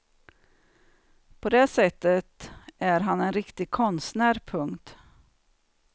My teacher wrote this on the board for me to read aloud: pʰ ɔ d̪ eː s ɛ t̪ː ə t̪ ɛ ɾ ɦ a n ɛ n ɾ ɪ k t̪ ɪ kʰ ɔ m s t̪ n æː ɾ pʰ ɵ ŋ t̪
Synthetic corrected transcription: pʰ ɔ d̪ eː s ɛ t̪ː ə t̪ æ ɾ ɦ a n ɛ n ɾ ɪ k t̪ ɪ kʰ ɔ n s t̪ n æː ɾ pʰ ɵ ŋ t̪